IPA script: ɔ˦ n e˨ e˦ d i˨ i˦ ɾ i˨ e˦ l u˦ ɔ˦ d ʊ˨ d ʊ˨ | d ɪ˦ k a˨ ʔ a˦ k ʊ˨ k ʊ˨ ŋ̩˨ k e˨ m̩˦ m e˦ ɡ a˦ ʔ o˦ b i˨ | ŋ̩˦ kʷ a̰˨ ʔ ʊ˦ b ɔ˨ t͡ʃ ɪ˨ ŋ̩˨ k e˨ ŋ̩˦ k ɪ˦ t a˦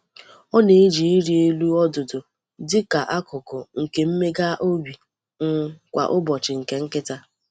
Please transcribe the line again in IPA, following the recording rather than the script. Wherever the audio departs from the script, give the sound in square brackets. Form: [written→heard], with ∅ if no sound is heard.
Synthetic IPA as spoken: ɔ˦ n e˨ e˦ [d→d͡ʒ] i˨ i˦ ɾ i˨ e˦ l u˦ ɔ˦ d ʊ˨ d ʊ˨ | d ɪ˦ k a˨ ʔ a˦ k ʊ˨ k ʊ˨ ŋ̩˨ k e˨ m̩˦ m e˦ ɡ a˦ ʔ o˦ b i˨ | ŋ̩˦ kʷ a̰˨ ʔ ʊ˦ b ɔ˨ t͡ʃ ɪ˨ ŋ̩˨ k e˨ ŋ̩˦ k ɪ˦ t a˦